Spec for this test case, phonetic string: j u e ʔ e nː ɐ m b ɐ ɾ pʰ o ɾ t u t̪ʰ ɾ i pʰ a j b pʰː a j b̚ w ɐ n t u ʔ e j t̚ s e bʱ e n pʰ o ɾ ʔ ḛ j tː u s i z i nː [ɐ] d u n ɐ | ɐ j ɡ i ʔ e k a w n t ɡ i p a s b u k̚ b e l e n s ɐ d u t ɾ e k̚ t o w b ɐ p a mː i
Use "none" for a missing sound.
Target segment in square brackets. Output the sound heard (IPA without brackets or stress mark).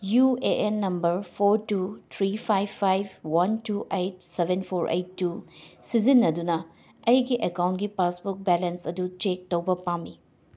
ɐ